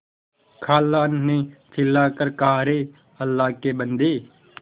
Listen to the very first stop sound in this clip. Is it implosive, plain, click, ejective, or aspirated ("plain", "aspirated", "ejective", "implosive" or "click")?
aspirated